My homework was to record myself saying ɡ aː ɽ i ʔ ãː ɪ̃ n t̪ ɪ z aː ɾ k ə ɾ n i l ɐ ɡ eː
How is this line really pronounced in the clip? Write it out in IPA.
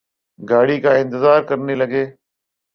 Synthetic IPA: ɡ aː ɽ i k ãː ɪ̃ n t̪ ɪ z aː ɾ k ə ɾ n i l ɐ ɡ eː